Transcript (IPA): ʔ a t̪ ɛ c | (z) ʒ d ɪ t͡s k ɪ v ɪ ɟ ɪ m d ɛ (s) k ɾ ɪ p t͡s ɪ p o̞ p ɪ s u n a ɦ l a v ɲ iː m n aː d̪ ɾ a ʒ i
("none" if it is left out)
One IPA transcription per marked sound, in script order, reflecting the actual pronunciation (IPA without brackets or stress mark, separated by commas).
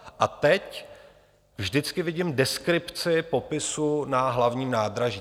v, s